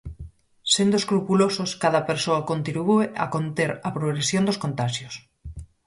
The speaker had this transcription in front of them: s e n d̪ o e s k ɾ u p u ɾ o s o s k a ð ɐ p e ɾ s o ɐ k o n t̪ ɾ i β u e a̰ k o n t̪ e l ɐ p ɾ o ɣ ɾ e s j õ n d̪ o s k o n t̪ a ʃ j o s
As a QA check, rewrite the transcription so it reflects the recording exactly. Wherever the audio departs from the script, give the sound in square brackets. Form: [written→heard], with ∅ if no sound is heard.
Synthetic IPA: s e n d̪ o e s k ɾ u p u [ɾ→l] o s o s k a ð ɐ p e ɾ s o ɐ k o n t̪ ɾ i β u e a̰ k o n t̪ e [l→ɾ] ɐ p ɾ o ɣ ɾ e s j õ n d̪ o s k o n t̪ a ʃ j o s